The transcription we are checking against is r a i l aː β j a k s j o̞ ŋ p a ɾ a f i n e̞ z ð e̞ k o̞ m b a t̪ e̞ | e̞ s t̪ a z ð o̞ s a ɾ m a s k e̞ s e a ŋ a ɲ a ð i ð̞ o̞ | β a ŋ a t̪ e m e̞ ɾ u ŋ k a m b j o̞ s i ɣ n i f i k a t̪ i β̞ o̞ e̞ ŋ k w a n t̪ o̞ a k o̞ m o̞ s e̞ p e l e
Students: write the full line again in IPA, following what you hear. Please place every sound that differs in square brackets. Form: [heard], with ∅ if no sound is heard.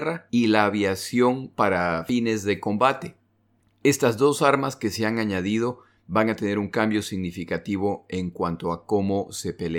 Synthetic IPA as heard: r a i l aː β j a [∅] s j o̞ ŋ p a ɾ a f i n e̞ z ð e̞ k o̞ m b a t̪ e̞ | e̞ s t̪ a z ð o̞ s a ɾ m a s k e̞ s e a ŋ a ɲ a ð i ð̞ o̞ | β a ŋ a t̪ e [n] e̞ ɾ u ŋ k a m b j o̞ s i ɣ n i f i k a t̪ i β̞ o̞ e̞ ŋ k w a n t̪ o̞ a k o̞ m o̞ s e̞ p e l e